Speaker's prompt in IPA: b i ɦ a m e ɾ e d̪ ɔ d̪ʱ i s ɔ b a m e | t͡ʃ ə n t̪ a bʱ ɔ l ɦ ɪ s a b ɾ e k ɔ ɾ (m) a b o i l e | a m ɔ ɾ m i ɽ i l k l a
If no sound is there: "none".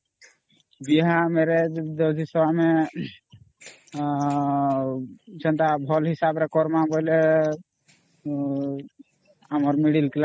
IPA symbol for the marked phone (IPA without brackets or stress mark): m